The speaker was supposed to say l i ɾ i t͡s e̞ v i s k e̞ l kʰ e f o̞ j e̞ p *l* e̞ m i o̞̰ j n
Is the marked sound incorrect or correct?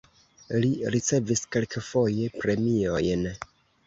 incorrect